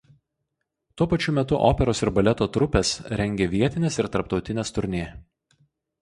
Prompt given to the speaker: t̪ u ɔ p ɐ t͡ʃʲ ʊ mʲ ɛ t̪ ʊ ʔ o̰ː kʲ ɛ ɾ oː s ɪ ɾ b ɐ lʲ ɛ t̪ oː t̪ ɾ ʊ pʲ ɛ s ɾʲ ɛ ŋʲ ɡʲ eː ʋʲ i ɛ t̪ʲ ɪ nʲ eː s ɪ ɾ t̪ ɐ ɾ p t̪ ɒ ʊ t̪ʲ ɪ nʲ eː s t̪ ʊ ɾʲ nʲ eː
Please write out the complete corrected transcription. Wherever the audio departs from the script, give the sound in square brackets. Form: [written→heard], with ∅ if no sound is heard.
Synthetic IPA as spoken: t̪ u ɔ p ɐ t͡ʃʲ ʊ mʲ ɛ t̪ ʊ ʔ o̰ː [kʲ→pʲ] ɛ ɾ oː s ɪ ɾ b ɐ lʲ ɛ t̪ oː t̪ ɾ ʊ pʲ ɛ s ɾʲ ɛ ŋʲ ɡʲ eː ʋʲ i ɛ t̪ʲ ɪ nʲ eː s ɪ ɾ t̪ ɐ ɾ p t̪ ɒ ʊ t̪ʲ ɪ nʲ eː s t̪ ʊ ɾʲ nʲ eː